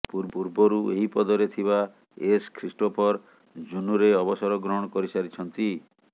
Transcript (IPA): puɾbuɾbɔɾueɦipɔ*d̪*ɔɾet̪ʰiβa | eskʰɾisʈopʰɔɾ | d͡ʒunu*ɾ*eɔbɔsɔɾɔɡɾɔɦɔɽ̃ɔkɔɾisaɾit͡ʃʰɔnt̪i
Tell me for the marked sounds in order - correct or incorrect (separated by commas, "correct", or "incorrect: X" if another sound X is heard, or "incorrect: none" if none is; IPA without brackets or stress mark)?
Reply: correct, correct